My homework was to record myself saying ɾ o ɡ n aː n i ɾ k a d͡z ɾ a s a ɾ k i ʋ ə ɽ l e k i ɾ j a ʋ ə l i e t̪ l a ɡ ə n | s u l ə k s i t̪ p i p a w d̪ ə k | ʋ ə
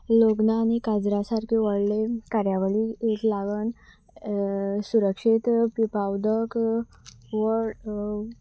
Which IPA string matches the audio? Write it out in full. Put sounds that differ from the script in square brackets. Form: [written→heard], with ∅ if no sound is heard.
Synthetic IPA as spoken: [ɾ→l] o ɡ n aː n i [ɾ→∅] k a d͡z ɾ a s a ɾ k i ʋ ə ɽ l e k [i→a] ɾ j a ʋ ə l i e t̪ l a ɡ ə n | s u [l→ɾ] ə k [s→ʂ] i t̪ p i p a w d̪ ə k | ʋ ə